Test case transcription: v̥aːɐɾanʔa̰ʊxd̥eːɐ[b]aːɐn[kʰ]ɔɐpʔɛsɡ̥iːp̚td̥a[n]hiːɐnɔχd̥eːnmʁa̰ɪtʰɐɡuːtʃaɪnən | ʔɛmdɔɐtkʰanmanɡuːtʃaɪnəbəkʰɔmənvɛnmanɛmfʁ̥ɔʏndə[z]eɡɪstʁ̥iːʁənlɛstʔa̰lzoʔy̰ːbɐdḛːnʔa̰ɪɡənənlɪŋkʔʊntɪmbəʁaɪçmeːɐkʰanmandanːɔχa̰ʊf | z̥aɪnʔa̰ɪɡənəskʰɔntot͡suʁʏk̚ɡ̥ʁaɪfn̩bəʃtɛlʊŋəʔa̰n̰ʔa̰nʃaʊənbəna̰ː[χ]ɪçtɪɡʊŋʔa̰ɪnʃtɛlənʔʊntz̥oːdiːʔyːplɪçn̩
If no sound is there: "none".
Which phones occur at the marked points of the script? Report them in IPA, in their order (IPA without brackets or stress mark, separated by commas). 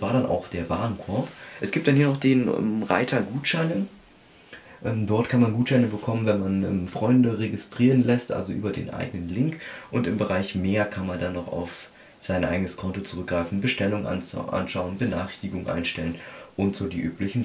v, kʰ, n, ʁ, χ